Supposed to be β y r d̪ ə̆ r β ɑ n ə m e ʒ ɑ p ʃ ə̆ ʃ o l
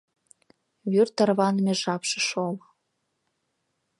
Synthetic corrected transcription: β y r t̪ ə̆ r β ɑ n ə m e ʒ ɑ p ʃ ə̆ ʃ o l